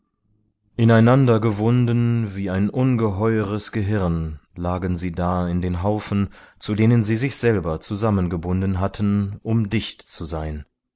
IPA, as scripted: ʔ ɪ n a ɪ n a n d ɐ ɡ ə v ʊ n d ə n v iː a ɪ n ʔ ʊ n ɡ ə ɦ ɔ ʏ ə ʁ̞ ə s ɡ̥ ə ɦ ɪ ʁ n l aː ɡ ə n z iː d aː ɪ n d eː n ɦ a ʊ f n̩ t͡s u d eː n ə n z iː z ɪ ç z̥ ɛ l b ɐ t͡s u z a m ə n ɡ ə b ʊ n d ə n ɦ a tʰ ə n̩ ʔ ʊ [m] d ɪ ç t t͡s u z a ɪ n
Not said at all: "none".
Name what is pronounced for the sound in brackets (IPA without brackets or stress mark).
m